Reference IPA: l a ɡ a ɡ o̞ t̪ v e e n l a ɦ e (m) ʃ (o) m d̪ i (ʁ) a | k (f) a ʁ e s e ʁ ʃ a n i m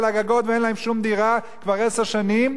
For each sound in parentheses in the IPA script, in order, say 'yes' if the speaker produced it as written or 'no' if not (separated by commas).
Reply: yes, no, yes, no